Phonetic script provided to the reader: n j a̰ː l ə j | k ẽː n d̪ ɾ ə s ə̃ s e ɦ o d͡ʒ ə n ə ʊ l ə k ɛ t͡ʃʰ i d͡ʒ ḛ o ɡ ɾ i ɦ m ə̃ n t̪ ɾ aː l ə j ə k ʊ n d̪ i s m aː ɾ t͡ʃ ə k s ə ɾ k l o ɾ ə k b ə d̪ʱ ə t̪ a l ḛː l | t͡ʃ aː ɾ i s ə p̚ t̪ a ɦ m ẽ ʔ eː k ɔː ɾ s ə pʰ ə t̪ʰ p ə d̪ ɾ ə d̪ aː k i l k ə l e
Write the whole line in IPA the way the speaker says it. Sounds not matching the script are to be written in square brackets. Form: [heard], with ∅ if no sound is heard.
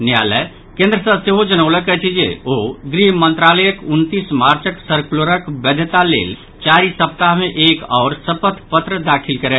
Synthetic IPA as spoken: n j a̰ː l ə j | k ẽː n d̪ ɾ ə s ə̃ s e ɦ o d͡ʒ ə n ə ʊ l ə k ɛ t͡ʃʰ i d͡ʒ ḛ o ɡ ɾ i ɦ m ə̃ n t̪ ɾ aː l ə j ə k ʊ n [t̪] i s m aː ɾ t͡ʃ ə k s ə ɾ k l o ɾ ə k b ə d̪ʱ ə t̪ a l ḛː l | t͡ʃ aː ɾ i s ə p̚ t̪ a ɦ m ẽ ʔ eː k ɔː ɾ s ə [p] ə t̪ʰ p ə [t̪] ɾ ə d̪ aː [kʰ] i l k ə [ɾ] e